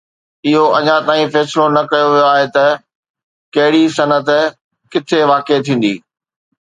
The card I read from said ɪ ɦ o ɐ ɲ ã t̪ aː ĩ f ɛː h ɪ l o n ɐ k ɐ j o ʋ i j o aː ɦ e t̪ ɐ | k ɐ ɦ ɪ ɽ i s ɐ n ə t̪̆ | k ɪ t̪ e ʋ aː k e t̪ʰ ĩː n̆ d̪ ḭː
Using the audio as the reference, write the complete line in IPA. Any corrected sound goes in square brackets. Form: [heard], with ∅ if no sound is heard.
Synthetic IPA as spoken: ɪ ɦ o ɐ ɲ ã t̪ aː ĩ f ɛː [s] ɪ l o n ɐ k ɐ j o ʋ i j o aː ɦ e t̪ ɐ | k ɐ ɦ ɪ ɽ i s ɐ n ə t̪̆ | k ɪ [t̪ʰ] e ʋ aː k e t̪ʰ ĩː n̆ d̪ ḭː